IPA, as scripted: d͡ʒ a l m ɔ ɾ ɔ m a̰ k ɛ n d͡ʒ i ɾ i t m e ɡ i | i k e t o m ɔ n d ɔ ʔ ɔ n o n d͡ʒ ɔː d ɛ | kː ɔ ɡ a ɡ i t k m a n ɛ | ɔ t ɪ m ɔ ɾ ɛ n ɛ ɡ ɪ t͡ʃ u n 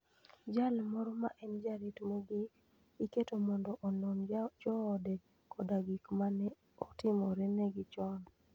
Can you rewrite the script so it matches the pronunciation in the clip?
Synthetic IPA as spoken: d͡ʒ a l m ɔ ɾ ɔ m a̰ ʔ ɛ n d͡ʒ a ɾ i t m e ɡ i | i k e t o m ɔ n d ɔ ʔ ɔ n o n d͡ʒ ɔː d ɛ | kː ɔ d a ɡ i k m a n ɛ | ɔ t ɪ m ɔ ɾ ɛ n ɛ ɡ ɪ t͡ʃ ɔ n

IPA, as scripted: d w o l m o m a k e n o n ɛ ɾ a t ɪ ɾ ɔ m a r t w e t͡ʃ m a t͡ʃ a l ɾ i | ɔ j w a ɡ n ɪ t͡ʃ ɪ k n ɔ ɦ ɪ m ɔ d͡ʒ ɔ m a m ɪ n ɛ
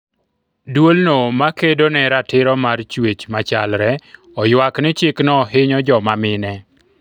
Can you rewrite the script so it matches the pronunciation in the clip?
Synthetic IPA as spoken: d w o l n o m a k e d o n ɛ ɾ a t ɪ ɾ ɔ m a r t͡ʃ w e t͡ʃ m a t͡ʃ a l ɾ ɛ | ɔ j w a k n ɪ t͡ʃ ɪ k n ɔ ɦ ɪ ɲ ɔ d͡ʒ ɔ m a m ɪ n ɛ

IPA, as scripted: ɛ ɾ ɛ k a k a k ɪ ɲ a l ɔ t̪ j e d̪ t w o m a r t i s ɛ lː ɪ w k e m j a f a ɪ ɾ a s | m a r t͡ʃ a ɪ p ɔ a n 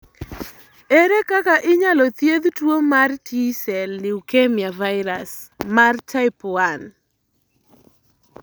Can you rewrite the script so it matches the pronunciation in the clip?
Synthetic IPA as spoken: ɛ ɾ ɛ k a k a ʔ ɪ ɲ a l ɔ t̪ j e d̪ t w o m a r t i s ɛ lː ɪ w k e m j a v a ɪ ɾ a s | m a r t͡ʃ a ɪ p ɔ a n

